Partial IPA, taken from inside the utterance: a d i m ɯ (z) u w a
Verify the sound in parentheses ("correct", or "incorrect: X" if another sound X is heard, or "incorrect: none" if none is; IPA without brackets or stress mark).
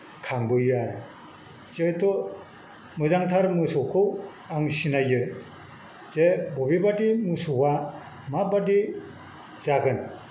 incorrect: s